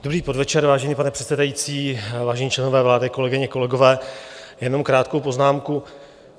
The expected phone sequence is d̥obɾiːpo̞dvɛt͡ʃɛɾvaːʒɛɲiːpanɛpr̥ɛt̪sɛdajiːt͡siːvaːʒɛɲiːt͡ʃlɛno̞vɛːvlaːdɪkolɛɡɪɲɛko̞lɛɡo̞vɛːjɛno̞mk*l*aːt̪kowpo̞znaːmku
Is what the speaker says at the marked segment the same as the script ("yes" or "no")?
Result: no